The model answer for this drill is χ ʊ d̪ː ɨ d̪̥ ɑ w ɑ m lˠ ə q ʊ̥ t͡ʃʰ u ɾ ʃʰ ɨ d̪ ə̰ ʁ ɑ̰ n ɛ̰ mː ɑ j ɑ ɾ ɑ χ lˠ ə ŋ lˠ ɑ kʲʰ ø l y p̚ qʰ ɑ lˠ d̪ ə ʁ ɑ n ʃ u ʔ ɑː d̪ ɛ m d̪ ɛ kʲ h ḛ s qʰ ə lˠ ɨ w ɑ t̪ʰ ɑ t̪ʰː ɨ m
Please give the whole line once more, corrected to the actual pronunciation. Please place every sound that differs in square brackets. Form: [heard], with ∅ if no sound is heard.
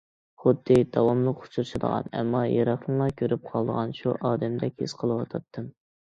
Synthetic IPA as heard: χ ʊ d̪ː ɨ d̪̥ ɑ w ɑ m lˠ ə q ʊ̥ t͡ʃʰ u ɾ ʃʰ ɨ d̪ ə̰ ʁ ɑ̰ n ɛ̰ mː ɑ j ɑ ɾ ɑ χ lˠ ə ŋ lˠ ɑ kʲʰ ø [ɾ] y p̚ qʰ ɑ lˠ d̪ ə ʁ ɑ n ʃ u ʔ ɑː d̪ ɛ m d̪ ɛ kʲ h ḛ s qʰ ə lˠ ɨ w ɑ t̪ʰ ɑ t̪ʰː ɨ m